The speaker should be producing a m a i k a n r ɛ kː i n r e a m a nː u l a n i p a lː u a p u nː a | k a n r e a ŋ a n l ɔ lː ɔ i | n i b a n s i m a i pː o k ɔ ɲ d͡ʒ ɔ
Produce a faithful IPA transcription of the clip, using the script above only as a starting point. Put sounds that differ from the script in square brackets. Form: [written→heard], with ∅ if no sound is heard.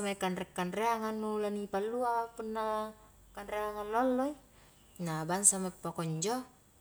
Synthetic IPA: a m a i k a n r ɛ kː [i→a] n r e a [m→ŋ] a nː u l a n i p a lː u a p u nː a | k a n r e a ŋ a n l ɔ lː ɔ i | n [i→a] b a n s [i→a] m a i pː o k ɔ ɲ d͡ʒ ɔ

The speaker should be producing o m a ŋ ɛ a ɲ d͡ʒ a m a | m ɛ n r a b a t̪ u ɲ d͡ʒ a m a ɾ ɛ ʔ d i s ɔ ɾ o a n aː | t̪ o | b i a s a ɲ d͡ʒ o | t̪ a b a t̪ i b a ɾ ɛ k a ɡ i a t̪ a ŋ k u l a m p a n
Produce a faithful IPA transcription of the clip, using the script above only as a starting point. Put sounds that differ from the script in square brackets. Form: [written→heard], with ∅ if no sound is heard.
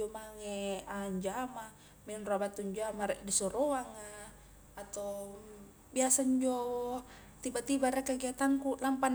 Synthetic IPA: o m a ŋ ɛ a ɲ d͡ʒ a m a | m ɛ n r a b a t̪ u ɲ d͡ʒ a m a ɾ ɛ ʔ d i s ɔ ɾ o a [n→ŋ] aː | t̪ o | b i a s a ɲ d͡ʒ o | t̪ [a→i] b a t̪ i b a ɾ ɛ k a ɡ i a t̪ a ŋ k u l a m p a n

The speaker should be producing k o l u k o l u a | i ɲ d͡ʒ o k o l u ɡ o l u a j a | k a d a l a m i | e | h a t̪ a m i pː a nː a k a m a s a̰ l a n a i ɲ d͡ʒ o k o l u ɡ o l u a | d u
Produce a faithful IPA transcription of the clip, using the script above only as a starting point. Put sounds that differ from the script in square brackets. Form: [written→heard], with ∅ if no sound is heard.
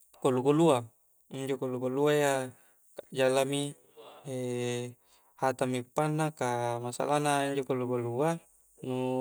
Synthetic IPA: k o l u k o l u a | i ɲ d͡ʒ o k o l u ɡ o l u a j a | k a [d→d͡ʒ] a l a m i | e | h a t̪ a m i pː a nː a k a m a s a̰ l a n a i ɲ d͡ʒ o k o l u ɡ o l u a | [d→n] u

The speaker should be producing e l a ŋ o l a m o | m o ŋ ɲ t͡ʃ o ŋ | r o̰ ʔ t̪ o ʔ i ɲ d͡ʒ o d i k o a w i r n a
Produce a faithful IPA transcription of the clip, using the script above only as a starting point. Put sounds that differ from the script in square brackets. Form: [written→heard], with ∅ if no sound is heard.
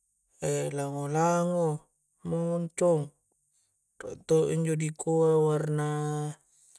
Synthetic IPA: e l a ŋ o l a [m→ŋ] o | m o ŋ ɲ t͡ʃ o ŋ | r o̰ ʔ t̪ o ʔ i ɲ d͡ʒ o d i k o a w [i→a] r n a

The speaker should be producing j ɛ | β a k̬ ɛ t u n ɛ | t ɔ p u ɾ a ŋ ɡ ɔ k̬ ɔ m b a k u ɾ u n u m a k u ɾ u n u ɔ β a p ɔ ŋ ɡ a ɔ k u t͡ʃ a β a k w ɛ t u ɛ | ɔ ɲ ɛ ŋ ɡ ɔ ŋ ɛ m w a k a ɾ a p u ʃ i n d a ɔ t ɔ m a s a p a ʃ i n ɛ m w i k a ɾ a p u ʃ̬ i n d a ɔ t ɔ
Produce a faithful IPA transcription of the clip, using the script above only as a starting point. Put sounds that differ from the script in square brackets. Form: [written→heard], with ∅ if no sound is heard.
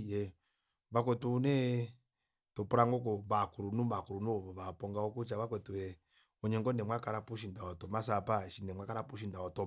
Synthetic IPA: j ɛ | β a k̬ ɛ t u n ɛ | t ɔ p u ɾ a ŋ ɡ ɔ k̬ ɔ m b a k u ɾ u n u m a k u ɾ u n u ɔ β a p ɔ ŋ ɡ a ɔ k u t͡ʃ a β a k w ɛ t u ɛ | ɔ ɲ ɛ ŋ ɡ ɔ [ŋ→n] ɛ m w a k a ɾ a p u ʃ i n d a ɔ t ɔ m a s a p a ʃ i n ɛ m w [i→a] k a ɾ a p u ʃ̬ i n d a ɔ t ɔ

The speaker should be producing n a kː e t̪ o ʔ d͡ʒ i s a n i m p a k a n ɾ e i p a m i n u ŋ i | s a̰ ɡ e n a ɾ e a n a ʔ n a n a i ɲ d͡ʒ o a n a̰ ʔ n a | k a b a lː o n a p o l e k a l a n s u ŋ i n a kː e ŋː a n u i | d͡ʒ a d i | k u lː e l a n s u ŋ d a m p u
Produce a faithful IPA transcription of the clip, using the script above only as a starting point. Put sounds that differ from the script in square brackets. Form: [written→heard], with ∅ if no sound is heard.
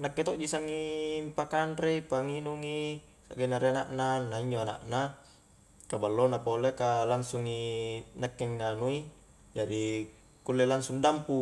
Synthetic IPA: n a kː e t̪ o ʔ d͡ʒ i s a [n→ŋ] i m p a k a n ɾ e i p a [m→ŋ] i n u ŋ i | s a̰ ɡ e n a ɾ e a n a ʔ n a n a i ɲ d͡ʒ o a n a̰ ʔ n a | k a b a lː o n a p o l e k a l a n s u ŋ i n a kː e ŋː a n u i | d͡ʒ a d i | k u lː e l a n s u ŋ d a m p u

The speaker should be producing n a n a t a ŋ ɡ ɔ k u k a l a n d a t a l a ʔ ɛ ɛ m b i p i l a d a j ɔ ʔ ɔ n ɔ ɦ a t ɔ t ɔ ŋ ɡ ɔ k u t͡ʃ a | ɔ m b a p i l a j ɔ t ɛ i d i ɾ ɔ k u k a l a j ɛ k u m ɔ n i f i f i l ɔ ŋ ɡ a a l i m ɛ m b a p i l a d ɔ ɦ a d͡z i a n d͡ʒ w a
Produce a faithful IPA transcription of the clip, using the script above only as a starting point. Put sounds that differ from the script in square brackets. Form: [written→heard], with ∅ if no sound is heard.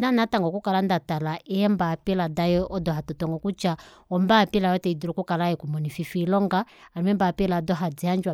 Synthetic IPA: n a n a t a ŋ ɡ ɔ k u k a l a n d a t a l a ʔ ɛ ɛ m b [i→a] p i l a d a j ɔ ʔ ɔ [n→d] ɔ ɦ a t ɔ t ɔ ŋ ɡ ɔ k u t͡ʃ a | ɔ m b a p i l a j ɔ t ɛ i d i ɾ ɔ k u k a l a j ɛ k u m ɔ n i f i f i l ɔ ŋ ɡ a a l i m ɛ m b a p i l a d ɔ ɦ a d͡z i a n d͡ʒ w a

